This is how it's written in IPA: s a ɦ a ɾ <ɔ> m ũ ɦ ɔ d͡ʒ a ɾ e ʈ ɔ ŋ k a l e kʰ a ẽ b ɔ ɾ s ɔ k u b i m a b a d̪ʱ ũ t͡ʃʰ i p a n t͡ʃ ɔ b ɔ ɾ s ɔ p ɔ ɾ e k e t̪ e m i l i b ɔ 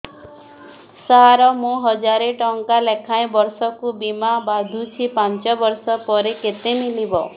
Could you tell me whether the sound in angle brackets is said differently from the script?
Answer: no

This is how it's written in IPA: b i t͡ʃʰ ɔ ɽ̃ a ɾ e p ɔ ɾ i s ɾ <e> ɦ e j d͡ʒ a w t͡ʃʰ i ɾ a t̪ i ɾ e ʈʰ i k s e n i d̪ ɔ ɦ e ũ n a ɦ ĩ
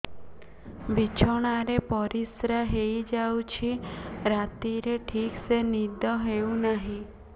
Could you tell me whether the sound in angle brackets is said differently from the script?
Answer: yes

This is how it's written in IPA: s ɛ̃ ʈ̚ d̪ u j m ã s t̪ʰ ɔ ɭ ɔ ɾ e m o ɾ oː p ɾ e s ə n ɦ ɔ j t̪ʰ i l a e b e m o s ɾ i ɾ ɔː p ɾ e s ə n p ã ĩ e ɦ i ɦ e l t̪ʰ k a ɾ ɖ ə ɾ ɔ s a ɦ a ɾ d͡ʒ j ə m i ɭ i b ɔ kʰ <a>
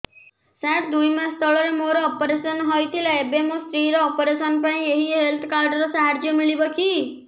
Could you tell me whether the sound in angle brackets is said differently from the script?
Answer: yes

